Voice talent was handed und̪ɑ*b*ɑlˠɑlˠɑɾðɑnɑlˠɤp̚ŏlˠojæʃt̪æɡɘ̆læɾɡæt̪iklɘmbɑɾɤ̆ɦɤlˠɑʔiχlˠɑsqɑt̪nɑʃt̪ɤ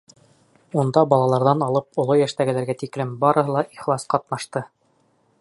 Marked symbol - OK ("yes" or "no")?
yes